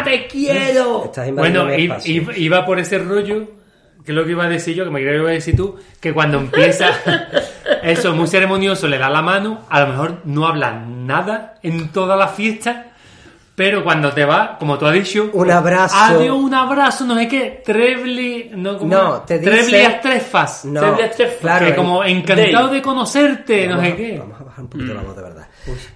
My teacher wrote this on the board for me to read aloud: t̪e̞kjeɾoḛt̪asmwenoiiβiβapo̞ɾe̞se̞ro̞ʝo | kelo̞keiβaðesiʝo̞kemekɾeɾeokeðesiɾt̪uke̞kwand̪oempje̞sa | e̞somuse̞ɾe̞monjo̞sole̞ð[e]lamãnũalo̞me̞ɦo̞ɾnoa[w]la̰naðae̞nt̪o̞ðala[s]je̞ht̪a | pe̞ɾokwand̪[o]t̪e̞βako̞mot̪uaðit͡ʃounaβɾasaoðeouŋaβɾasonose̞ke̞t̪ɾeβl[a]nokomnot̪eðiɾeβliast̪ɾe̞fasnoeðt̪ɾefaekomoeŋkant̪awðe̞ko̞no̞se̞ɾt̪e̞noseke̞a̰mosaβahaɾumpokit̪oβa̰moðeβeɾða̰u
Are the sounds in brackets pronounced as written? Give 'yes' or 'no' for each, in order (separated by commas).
no, no, no, yes, no